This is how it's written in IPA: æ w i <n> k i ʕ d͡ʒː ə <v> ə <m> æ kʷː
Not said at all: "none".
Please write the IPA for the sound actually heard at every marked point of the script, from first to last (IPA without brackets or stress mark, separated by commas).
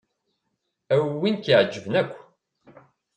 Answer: n, v, n